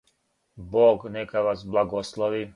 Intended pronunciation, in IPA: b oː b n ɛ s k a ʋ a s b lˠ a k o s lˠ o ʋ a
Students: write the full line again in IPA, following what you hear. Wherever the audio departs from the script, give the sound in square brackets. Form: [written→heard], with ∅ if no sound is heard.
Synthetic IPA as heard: b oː [b→ɡ] n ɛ [s→∅] k a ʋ a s b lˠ a [k→ɡ] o s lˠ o ʋ [a→i]